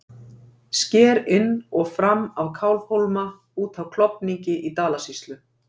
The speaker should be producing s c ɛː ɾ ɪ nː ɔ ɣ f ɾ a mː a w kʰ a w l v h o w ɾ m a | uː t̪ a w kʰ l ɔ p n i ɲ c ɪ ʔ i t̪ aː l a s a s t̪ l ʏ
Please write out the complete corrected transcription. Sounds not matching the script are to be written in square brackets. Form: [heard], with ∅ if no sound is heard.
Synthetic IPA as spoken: s c ɛː ɾ ɪ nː ɔ ɣ f ɾ a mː a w kʰ a w l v h o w [l] m a | uː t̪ a w kʰ l ɔ p n i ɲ c ɪ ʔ i t̪ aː l a s [i] s t̪ l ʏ